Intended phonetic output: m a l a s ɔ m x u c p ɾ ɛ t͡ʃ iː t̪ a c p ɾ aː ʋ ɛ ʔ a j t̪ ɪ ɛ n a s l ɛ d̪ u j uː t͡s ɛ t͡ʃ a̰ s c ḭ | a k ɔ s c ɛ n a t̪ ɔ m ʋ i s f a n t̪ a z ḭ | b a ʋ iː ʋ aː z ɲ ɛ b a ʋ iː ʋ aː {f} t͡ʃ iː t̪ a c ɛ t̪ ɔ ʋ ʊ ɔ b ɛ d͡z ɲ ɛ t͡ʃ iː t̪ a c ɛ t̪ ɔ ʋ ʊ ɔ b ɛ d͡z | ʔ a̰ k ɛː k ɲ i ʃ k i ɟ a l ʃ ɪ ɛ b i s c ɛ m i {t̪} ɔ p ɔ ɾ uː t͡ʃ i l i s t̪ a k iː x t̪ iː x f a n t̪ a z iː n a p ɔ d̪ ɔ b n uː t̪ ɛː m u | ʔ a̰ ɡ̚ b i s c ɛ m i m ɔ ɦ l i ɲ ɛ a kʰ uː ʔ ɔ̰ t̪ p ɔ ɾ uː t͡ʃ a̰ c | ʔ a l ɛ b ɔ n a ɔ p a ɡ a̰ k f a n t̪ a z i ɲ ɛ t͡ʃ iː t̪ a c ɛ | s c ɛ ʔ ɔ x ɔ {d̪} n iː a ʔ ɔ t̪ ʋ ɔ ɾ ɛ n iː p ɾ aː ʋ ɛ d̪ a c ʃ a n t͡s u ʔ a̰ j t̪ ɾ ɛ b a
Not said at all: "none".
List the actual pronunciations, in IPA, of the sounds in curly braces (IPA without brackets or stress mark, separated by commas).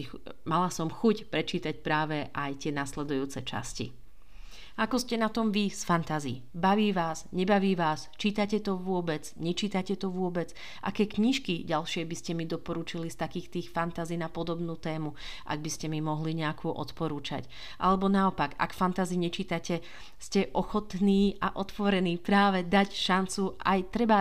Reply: s, d̪, t̪